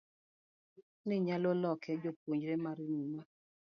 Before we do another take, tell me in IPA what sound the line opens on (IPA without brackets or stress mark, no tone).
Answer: n